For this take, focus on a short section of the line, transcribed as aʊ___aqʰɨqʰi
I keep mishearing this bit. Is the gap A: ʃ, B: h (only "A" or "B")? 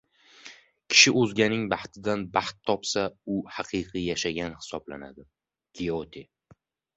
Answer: B